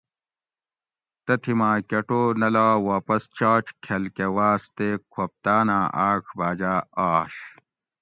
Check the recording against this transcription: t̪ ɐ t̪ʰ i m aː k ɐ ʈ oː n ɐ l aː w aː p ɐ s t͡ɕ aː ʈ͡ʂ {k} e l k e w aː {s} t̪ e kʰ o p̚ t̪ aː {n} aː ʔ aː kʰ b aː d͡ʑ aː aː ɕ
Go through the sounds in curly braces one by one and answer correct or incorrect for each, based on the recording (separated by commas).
incorrect, correct, correct